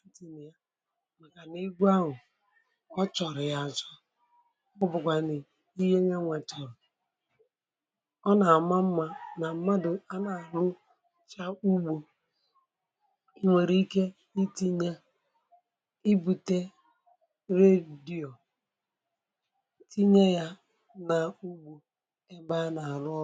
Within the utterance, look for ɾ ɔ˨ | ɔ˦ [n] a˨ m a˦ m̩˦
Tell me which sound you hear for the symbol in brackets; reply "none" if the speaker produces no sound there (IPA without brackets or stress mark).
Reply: n